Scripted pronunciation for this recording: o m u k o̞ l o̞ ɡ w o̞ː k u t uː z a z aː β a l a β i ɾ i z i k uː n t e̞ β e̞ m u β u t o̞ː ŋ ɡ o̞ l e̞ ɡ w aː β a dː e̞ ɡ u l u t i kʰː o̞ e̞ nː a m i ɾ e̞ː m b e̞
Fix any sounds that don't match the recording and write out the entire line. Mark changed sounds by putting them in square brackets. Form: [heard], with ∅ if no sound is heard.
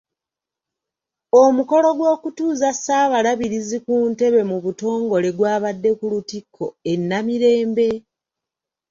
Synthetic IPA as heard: o m u k o̞ l o̞ ɡ w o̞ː k u t uː z a [s] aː β a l a β i ɾ i z i k uː n t e̞ β e̞ m u β u t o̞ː ŋ ɡ o̞ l e̞ ɡ w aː β a dː e̞ [k] u l u t i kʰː o̞ e̞ nː a m i ɾ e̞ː m b e̞